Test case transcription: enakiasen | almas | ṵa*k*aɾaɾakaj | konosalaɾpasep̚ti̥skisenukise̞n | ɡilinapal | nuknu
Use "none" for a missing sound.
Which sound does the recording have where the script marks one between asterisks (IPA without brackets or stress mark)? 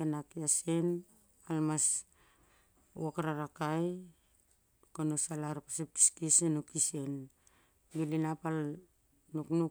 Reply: k